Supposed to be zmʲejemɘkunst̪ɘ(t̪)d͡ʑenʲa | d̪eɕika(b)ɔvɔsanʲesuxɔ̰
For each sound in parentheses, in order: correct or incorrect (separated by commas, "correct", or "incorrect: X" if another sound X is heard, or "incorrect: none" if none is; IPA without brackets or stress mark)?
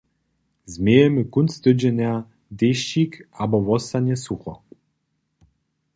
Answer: incorrect: none, correct